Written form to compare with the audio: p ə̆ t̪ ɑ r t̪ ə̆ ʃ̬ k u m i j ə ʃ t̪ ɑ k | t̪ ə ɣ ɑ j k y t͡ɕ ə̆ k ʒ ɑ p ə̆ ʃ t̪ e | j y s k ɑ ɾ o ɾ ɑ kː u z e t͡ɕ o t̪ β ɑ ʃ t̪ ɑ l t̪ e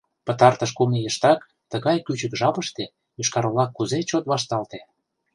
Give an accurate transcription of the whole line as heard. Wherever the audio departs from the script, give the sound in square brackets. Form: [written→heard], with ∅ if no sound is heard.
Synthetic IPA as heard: p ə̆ t̪ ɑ r t̪ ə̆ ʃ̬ k u m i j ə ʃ t̪ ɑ k | t̪ ə ɣ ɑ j k y t͡ɕ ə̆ k ʒ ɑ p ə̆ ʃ t̪ e | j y [s→ʃ] k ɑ ɾ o [ɾ→l] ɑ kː u z e t͡ɕ o t̪ β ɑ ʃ t̪ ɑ l t̪ e